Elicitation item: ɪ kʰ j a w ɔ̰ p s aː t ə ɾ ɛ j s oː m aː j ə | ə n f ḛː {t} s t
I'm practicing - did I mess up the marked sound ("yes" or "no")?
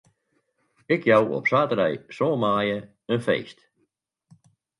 yes